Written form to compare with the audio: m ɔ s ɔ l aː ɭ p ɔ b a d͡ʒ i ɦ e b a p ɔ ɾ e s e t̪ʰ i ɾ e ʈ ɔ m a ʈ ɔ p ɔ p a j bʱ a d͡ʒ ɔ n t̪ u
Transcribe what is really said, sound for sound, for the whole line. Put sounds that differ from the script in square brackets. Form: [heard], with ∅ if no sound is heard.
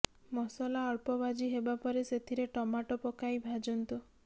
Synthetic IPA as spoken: m ɔ s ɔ l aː ɭ p ɔ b a d͡ʒ i ɦ e b a p ɔ ɾ e s e t̪ʰ i ɾ e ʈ ɔ m a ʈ ɔ p ɔ [k] a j bʱ a d͡ʒ ɔ n t̪ u